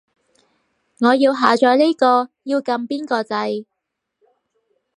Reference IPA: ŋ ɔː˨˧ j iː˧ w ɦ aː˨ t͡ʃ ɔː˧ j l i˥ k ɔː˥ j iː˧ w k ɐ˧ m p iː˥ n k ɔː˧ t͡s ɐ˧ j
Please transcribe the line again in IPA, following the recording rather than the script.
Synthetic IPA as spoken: ŋ ɔː˨˧ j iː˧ w ɦ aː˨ t͡ʃ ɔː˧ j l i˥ k ɔː˧ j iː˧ w k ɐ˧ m p iː˥ n k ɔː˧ t͡s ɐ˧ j